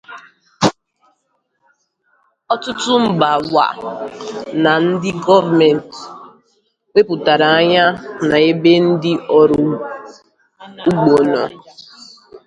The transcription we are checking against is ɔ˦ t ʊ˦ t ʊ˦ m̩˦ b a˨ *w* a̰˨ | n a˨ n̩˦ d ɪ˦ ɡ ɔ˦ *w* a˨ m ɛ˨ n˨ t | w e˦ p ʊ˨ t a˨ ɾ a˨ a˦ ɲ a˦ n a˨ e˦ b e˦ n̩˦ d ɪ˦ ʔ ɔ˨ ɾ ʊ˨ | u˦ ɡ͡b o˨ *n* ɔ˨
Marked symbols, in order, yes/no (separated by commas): yes, no, yes